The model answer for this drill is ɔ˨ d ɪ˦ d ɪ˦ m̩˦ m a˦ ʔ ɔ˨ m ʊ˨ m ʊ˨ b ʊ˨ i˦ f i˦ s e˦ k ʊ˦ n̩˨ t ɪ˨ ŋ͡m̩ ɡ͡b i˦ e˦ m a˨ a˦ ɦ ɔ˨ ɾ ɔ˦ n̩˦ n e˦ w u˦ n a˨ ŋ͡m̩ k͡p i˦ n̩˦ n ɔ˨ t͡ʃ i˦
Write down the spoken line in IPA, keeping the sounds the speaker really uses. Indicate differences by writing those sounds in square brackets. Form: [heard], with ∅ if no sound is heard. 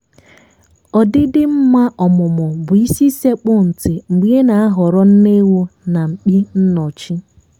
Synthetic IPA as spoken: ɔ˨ d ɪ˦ d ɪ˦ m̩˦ m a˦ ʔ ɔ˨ m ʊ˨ m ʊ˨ b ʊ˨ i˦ [s] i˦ s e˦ [k͡p] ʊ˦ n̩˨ t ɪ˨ ŋ͡m̩ ɡ͡b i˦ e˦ [n] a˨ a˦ ɦ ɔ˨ ɾ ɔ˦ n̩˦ n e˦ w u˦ n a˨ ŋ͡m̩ k͡p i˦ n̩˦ n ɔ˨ t͡ʃ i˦